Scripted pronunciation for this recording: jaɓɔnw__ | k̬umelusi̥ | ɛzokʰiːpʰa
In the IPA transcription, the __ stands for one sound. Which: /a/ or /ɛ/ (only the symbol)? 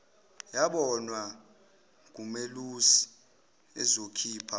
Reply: a